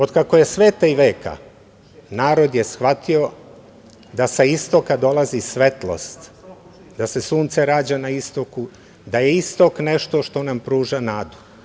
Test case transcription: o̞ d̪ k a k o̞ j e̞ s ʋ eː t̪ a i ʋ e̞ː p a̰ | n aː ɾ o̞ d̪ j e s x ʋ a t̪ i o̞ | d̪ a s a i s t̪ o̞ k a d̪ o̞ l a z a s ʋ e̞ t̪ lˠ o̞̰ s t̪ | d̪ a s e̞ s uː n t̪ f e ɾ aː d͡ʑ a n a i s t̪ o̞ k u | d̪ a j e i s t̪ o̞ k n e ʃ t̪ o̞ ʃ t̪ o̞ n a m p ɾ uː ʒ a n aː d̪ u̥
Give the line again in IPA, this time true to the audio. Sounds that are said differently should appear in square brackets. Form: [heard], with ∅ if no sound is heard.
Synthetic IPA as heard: o̞ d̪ k a k o̞ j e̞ s ʋ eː t̪ a i ʋ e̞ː [k] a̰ | n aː ɾ o̞ d̪ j e s x ʋ a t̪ i o̞ | d̪ a s a i s t̪ o̞ k a d̪ o̞ l a z [i] s ʋ e̞ t̪ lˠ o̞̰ s t̪ | d̪ a s e̞ s uː n t̪ [s] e ɾ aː d͡ʑ a n a i s t̪ o̞ k u | d̪ a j e i s t̪ o̞ k n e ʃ t̪ o̞ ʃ t̪ o̞ n a m p ɾ uː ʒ a n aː d̪ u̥